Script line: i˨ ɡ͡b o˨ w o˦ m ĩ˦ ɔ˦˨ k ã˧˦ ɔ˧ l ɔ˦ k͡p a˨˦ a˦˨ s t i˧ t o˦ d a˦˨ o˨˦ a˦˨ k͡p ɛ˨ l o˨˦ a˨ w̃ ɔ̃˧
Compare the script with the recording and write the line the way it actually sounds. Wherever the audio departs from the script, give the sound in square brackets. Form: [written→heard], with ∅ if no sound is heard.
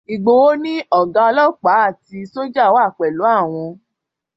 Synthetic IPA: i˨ ɡ͡b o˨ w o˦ [m→n] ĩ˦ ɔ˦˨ [k→ɡ] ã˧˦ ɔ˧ l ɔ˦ k͡p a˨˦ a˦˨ [s→∅] t i˧ [t→s] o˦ [d→d͡ʒ] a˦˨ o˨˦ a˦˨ k͡p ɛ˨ l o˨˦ [a˨→a˦˨] w̃ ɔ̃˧